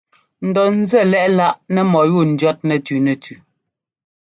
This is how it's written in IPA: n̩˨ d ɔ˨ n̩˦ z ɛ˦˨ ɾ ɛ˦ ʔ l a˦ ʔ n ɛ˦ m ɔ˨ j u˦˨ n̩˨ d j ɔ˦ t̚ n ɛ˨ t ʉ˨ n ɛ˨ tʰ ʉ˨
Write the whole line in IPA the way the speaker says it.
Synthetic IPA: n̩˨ d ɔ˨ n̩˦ z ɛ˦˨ l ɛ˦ ʔ l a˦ ʔ n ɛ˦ m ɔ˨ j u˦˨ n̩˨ d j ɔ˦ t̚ n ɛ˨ t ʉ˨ n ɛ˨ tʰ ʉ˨